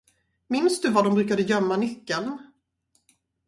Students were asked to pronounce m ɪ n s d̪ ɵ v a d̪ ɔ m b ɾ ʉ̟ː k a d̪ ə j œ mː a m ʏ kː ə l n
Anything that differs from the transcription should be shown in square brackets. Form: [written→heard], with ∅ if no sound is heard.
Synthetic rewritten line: m ɪ n s d̪ ɵ v a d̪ ɔ m b ɾ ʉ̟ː k a d̪ ə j œ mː a [m→n] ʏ kː ə l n